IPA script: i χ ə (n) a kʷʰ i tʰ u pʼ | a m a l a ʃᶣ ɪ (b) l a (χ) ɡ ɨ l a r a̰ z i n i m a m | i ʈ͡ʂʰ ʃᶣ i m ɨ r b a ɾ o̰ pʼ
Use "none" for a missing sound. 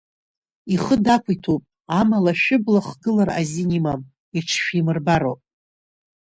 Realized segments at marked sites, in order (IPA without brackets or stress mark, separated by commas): d, b, χ